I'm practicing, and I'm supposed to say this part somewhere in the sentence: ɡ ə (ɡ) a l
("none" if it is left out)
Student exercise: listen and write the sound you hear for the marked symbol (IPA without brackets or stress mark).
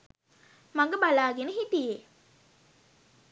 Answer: b